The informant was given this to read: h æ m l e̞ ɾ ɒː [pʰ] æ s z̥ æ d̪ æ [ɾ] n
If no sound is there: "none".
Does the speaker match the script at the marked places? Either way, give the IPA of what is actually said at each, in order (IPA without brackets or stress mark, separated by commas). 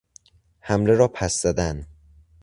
pʰ, none